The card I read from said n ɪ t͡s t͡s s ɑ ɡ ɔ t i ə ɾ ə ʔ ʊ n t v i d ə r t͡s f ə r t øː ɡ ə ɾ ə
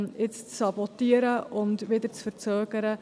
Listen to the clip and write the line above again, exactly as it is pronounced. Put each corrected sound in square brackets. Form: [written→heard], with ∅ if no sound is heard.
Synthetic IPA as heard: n ɪ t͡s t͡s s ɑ [ɡ→b] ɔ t i ə ɾ ə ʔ ʊ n t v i d ə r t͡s f ə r [t→t͡s] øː ɡ ə ɾ ə